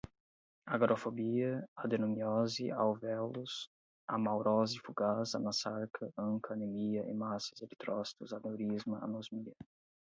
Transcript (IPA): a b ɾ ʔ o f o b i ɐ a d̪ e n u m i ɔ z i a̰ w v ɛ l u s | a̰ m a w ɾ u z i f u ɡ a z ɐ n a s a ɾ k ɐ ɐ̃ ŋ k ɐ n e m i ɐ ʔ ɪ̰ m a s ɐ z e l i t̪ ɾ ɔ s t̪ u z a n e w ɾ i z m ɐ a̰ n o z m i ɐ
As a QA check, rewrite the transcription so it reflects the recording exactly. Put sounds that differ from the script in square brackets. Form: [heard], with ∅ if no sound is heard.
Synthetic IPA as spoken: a [ɡ] ɾ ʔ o f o b i ɐ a d̪ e n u m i ɔ z i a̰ w v ɛ l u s | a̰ m a w ɾ [ɔ] z i f u ɡ a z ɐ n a s a ɾ k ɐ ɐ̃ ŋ k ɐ n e m i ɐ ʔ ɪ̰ m a s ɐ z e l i t̪ ɾ ɔ s t̪ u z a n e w ɾ i z m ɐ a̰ n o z m i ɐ